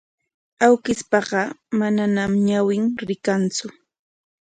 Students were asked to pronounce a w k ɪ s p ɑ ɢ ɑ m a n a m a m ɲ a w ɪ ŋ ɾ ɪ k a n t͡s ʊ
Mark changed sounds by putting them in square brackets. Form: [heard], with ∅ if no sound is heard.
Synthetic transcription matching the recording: a w k ɪ s p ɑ ɢ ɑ m a n a [n] a m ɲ a w ɪ ŋ ɾ ɪ k a n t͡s ʊ